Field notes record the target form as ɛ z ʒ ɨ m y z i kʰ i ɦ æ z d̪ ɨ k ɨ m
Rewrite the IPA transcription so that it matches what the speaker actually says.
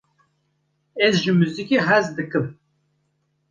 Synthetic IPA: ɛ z ʒ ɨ m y z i k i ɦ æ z d̪ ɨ k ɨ m